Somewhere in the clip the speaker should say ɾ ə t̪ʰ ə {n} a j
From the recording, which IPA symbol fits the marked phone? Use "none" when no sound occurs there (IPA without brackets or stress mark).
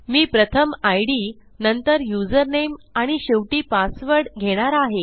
m